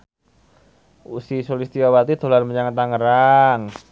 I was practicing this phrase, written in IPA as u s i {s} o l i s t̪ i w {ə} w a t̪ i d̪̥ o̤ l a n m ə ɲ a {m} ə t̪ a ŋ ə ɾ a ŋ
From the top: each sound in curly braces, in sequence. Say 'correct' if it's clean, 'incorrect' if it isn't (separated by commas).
correct, incorrect, incorrect